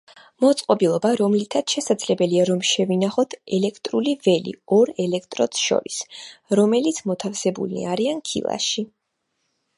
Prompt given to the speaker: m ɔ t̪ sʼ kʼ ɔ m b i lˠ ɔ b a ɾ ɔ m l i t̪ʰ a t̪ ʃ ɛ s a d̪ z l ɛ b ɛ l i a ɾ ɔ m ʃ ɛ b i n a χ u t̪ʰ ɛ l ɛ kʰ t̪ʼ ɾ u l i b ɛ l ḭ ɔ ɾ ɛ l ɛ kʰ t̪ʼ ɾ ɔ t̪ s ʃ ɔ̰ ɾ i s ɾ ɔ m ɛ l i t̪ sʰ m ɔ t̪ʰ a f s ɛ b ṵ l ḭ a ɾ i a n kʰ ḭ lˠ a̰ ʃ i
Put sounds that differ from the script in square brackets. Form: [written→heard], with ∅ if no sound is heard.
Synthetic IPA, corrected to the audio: m ɔ t̪ sʼ [kʼ→qʼ] ɔ [m→∅] b i lˠ ɔ b a ɾ ɔ m l i t̪ʰ a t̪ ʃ ɛ s a d̪ z l ɛ b ɛ l i a ɾ ɔ m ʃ ɛ [b→v] i n a χ [u→ɔ] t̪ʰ ɛ l ɛ kʰ t̪ʼ ɾ u l i [b→v] ɛ l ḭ ɔ ɾ ɛ l ɛ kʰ t̪ʼ ɾ ɔ t̪ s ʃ ɔ̰ ɾ i s ɾ ɔ m ɛ l i t̪ sʰ m ɔ t̪ʰ a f s ɛ b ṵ l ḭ a ɾ i a n kʰ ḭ lˠ a̰ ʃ i